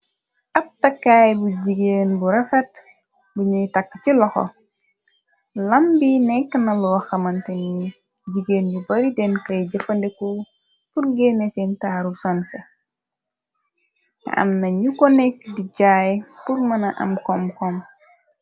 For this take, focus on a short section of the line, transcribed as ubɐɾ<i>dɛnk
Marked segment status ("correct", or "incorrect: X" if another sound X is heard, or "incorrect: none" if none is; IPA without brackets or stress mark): correct